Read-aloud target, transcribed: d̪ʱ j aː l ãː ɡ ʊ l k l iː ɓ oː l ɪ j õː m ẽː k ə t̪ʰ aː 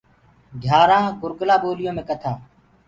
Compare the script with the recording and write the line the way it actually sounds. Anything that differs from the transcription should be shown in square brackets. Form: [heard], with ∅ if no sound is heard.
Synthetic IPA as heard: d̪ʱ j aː [ɾ] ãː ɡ ʊ [ɾ] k l [aː] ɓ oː l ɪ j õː m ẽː k ə t̪ʰ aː

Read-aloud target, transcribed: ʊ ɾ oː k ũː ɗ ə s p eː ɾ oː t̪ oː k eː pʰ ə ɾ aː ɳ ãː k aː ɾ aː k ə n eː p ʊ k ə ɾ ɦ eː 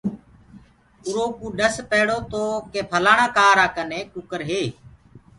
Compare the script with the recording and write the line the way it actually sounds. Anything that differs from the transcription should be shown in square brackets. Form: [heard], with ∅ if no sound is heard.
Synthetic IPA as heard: ʊ ɾ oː k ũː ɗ ə s p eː [ɽ] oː t̪ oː k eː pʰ ə [l] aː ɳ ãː k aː ɾ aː k ə n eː [k] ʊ k ə ɾ ɦ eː

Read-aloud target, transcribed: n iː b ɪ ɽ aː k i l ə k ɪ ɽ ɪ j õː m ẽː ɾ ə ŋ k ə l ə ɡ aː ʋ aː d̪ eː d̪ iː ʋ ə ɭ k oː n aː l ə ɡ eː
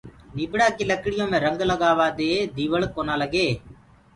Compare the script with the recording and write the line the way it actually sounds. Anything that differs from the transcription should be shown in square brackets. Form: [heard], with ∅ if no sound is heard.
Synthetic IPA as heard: n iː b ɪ ɽ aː k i l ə k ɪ ɽ ɪ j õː m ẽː ɾ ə ŋ [ɡ] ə l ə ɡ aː ʋ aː d̪ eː d̪ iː ʋ ə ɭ k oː n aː l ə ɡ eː

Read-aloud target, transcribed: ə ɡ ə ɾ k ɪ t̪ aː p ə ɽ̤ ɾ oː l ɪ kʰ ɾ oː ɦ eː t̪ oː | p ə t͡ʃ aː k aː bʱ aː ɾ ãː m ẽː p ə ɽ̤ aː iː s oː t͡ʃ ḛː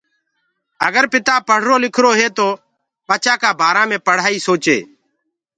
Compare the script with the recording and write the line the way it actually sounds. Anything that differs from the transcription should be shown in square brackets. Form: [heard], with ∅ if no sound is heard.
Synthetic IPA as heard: ə ɡ ə ɾ [p] ɪ t̪ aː p ə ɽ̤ ɾ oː l ɪ kʰ ɾ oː ɦ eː t̪ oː | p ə t͡ʃ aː k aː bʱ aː ɾ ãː m ẽː p ə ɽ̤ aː iː s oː t͡ʃ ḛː

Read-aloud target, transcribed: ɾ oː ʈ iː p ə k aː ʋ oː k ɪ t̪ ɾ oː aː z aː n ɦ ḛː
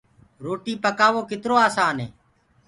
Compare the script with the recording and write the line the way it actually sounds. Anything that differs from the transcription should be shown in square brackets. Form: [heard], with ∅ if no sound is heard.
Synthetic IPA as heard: ɾ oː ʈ iː p ə k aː ʋ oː k ɪ t̪ ɾ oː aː [s] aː n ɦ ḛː

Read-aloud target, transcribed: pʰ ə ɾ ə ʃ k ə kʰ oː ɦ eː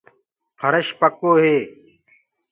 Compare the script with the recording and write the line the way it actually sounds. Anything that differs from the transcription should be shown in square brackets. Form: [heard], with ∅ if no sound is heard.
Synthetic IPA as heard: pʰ ə ɾ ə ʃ [p] ə [k] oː ɦ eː

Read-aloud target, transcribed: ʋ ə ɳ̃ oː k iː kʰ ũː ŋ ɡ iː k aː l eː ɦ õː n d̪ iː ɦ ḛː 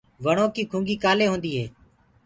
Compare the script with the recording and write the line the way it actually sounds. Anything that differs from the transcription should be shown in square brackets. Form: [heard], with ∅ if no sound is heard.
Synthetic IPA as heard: ʋ ə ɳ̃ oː k iː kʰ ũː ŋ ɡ iː k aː l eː ɦ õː n d̪ iː ɦ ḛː

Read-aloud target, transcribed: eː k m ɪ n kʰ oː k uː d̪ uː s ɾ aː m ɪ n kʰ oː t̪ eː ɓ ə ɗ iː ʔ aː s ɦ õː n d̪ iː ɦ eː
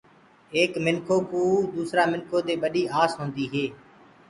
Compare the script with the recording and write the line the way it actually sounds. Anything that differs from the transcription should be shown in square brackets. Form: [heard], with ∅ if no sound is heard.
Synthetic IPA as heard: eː k m ɪ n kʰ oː k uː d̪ uː s ɾ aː m ɪ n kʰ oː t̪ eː ɓ ə ɗ iː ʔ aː s ɦ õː n d̪ iː ɦ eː

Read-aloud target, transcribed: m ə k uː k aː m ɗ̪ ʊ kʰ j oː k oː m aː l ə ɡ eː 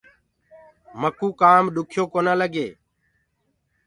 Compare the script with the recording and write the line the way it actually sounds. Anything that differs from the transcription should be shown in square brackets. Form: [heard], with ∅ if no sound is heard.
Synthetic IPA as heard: m ə k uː k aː m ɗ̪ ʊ kʰ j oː k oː [n] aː l ə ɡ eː

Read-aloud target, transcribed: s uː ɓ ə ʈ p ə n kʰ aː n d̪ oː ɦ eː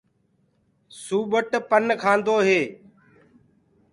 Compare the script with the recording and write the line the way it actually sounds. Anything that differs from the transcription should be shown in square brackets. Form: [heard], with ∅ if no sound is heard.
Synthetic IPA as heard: s uː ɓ ə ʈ p ə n kʰ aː n d̪ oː ɦ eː

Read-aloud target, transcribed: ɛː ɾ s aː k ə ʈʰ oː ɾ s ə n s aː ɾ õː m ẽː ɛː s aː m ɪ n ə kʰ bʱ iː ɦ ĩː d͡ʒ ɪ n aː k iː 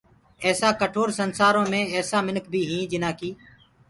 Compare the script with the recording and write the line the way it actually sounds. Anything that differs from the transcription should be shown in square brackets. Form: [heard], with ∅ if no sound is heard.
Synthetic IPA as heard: ɛː [∅] s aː k ə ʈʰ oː ɾ s ə n s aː ɾ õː m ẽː ɛː s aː m ɪ n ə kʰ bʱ iː ɦ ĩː d͡ʒ ɪ n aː k iː

